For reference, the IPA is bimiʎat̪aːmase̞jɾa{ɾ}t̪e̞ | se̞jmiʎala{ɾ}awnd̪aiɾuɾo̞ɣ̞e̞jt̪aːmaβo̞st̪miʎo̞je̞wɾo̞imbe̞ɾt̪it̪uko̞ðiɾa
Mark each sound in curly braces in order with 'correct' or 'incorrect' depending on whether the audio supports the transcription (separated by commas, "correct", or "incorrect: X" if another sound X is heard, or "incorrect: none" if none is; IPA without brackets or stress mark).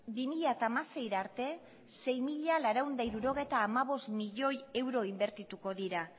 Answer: correct, correct